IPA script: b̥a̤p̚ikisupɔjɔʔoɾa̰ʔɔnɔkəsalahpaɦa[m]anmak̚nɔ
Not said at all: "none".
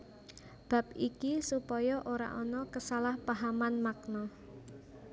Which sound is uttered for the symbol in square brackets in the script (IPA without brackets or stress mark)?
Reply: m